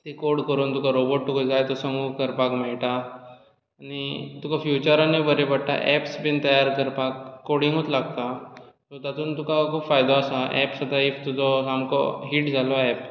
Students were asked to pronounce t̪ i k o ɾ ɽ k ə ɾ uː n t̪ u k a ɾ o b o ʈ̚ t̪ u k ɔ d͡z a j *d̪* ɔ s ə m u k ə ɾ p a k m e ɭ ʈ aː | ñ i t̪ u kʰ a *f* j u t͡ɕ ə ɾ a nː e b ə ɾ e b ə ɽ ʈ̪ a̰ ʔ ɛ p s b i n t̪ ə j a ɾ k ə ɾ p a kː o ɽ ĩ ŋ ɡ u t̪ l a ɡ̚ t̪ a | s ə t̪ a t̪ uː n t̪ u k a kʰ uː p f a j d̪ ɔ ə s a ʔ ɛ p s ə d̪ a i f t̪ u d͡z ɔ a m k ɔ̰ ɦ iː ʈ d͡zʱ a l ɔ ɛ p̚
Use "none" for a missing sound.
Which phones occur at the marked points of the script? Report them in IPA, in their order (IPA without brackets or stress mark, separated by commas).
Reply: t̪, f